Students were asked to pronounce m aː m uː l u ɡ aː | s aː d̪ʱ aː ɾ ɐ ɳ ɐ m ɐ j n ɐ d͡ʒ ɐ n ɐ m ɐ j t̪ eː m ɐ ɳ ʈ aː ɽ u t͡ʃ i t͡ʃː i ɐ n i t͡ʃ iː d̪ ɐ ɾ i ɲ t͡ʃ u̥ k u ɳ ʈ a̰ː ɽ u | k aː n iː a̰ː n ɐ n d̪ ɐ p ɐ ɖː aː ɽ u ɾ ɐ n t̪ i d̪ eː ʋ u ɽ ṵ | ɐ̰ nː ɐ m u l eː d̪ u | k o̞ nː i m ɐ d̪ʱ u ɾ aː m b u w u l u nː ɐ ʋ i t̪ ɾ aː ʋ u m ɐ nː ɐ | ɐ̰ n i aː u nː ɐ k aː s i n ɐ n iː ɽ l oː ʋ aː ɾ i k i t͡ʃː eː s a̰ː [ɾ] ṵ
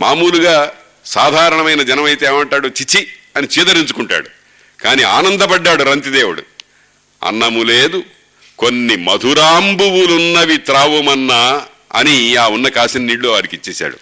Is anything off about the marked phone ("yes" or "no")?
yes